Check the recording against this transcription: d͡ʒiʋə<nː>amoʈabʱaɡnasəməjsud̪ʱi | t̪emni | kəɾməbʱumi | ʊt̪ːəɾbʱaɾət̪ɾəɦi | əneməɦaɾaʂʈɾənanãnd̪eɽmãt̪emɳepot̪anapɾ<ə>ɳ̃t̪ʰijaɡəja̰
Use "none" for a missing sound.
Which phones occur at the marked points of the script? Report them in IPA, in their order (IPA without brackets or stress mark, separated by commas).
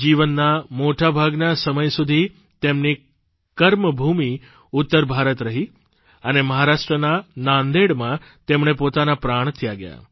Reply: nː, a